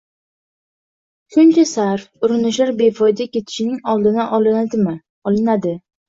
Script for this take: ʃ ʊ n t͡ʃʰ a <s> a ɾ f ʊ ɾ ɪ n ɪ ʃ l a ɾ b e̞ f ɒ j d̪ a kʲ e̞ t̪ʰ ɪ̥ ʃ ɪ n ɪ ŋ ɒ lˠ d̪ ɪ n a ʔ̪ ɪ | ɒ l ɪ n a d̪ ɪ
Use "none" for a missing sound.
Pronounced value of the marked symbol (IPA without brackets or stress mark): s